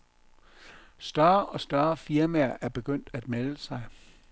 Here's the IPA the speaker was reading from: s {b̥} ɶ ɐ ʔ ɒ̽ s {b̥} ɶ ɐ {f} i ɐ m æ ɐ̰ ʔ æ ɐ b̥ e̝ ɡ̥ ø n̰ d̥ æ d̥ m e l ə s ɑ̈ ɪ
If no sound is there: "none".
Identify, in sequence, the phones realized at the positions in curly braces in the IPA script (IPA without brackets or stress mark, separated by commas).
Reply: d̥, d̥, f